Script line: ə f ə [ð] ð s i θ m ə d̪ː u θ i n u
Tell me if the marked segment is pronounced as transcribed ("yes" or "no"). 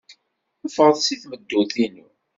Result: no